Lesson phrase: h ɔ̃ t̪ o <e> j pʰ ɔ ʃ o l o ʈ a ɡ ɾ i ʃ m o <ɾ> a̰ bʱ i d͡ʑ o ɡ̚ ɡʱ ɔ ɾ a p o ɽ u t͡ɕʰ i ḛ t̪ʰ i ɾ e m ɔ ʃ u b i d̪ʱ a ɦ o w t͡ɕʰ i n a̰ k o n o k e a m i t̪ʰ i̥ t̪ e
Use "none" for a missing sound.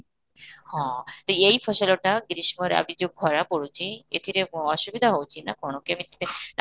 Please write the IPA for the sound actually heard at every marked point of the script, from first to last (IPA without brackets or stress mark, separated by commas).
e, ɾ